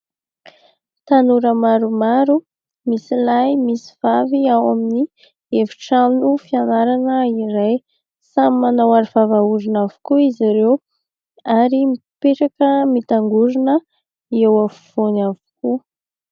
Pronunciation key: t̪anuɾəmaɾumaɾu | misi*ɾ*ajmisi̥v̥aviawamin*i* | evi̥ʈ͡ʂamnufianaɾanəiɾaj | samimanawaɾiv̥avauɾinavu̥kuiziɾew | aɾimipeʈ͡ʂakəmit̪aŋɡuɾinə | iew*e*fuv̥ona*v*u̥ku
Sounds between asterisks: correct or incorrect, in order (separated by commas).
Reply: incorrect, correct, incorrect, correct